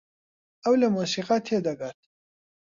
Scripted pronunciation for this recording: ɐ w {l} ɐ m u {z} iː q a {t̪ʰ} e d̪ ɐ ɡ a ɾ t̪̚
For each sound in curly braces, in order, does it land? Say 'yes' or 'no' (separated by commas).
yes, no, yes